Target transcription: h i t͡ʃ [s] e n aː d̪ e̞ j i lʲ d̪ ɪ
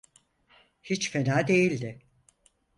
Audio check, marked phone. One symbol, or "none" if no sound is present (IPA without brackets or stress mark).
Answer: f